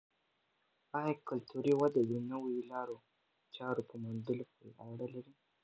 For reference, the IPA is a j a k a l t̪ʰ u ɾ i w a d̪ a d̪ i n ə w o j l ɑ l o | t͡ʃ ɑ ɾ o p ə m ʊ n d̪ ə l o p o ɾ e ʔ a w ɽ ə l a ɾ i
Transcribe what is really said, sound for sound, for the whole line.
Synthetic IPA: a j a k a l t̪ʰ u ɾ i w a d̪ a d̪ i n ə w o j l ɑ ɾ o | t͡ʃ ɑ ɾ o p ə m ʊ n d̪ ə l o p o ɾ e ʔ a w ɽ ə l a ɾ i